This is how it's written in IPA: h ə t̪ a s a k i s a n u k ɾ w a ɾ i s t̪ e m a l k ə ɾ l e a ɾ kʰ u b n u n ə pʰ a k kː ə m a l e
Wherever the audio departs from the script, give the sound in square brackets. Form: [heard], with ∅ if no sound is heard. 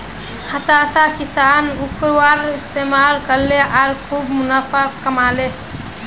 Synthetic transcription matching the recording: h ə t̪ a s a k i s a n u k ɾ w a ɾ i s t̪ e m a l k ə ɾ l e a ɾ kʰ u b [m] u n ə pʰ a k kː ə m a l e